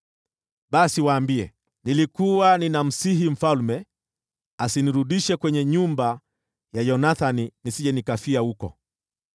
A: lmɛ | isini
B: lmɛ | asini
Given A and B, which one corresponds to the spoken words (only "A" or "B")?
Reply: B